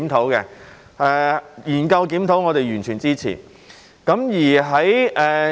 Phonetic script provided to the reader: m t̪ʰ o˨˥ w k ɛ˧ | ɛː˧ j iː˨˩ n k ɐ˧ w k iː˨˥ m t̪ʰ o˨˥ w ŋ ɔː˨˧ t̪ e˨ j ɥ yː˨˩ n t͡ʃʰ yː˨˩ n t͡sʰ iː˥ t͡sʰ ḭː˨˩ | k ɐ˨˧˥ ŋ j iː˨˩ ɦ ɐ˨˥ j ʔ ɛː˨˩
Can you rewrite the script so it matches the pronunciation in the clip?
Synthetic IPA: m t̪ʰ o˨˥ w k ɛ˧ | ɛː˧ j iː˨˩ n k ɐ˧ w k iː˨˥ m t̪ʰ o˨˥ w ŋ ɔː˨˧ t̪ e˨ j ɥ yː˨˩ n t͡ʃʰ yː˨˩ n t͡s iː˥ t͡sʰ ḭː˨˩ | k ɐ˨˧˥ m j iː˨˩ ɦ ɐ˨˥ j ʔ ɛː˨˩